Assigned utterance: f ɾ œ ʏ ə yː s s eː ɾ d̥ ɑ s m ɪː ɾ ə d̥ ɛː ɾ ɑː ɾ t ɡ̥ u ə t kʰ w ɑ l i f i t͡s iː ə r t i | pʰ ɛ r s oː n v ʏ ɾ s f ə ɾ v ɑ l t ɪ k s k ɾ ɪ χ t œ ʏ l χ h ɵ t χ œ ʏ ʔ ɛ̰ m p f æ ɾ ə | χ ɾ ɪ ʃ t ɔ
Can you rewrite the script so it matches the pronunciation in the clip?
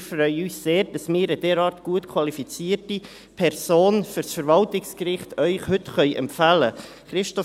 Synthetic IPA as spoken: f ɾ œ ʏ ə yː s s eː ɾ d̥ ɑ s m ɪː ɾ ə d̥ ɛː ɾ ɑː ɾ t ɡ̥ u ə t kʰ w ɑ l i f i t͡s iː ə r t i | pʰ ɛ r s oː n f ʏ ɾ s f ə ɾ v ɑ l t ɪ k s k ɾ ɪ χ t œ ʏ χ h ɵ t χ œ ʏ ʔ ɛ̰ m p f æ l ə | χ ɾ ɪ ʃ t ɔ